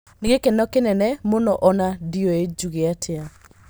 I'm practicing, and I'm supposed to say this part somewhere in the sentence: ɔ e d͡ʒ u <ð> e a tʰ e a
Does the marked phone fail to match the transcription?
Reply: yes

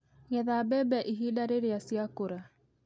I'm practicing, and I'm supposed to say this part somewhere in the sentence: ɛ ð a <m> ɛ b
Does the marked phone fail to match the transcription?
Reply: yes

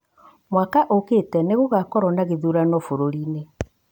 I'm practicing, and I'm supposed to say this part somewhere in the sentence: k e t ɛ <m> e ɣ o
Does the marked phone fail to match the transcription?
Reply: yes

